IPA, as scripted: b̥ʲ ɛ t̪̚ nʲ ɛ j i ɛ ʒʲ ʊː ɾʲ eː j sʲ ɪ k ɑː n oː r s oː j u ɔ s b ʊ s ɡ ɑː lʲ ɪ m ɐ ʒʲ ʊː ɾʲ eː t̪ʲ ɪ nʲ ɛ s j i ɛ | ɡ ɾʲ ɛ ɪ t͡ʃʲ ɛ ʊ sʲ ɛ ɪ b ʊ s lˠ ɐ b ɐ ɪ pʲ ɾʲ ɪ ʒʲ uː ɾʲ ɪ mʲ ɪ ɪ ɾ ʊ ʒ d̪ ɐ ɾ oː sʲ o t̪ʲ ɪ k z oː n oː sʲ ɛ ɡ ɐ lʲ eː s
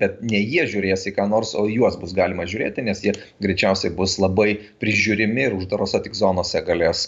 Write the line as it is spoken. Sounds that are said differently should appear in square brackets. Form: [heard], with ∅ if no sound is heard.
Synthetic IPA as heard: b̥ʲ ɛ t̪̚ nʲ ɛ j i ɛ ʒʲ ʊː ɾʲ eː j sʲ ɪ k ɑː n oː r s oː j u ɔ s b ʊ s ɡ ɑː lʲ ɪ m ɐ ʒʲ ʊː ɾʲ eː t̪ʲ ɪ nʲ ɛ s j i ɛ | ɡ ɾʲ ɛ ɪ t͡ʃʲ ɛ ʊ sʲ ɛ ɪ b ʊ s lˠ ɐ b ɐ ɪ pʲ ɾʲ ɪ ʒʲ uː ɾʲ ɪ mʲ ɪ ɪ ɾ ʊ ʒ d̪ ɐ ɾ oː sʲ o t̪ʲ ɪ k z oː n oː sʲ ɛ ɡ ɐ lʲ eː s